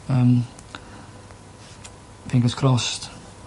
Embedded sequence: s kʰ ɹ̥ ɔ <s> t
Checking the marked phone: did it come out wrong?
no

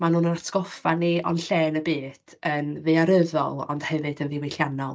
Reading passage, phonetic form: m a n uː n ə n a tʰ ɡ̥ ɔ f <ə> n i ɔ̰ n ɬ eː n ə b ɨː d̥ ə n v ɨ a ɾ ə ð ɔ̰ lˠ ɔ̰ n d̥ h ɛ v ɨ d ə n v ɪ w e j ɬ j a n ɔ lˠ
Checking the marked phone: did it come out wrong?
yes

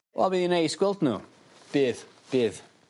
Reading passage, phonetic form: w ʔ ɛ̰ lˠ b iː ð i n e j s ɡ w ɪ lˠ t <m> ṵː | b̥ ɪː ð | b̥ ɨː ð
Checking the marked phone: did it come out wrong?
yes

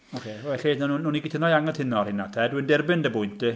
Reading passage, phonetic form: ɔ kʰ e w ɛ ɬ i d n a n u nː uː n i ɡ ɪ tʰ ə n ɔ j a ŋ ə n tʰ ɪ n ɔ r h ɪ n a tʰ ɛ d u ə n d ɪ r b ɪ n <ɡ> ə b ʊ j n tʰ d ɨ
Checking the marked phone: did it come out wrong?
yes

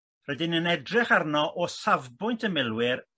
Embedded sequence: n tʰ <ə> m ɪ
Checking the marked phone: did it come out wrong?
no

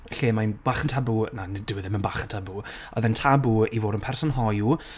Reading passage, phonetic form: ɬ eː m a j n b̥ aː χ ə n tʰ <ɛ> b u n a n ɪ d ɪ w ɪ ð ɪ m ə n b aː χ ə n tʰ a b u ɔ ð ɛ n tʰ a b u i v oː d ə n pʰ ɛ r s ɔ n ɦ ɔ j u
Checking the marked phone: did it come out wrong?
yes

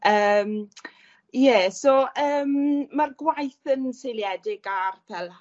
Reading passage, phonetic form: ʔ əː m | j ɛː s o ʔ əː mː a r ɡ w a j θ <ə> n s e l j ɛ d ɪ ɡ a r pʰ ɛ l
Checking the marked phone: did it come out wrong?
no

